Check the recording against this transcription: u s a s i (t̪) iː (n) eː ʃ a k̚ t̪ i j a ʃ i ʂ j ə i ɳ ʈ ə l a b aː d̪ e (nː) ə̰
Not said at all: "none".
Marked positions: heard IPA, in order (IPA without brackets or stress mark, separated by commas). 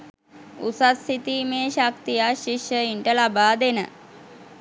t̪, m, n